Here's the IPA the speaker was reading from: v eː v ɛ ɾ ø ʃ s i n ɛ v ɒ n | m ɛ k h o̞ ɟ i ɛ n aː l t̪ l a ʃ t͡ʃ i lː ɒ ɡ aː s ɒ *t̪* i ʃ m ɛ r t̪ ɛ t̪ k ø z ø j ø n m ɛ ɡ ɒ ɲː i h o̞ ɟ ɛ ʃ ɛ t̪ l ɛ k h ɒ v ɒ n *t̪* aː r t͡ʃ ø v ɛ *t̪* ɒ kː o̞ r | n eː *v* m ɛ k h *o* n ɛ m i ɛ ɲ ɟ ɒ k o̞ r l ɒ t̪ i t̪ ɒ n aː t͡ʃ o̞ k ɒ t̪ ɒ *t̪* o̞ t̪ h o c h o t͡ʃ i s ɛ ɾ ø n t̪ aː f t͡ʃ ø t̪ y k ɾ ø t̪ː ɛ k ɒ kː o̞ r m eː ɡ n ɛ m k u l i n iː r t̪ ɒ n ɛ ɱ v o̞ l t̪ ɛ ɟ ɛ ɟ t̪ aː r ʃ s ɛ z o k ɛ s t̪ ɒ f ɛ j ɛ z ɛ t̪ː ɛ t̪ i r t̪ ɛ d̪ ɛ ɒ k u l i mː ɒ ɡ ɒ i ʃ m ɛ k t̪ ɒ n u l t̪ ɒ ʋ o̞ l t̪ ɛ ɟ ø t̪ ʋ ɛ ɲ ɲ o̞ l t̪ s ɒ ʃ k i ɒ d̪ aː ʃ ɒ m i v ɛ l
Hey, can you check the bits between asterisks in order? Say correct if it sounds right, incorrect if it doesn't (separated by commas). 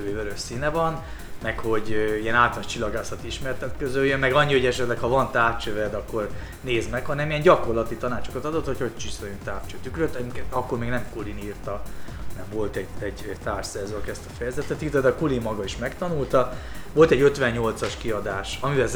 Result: correct, correct, incorrect, incorrect, incorrect, incorrect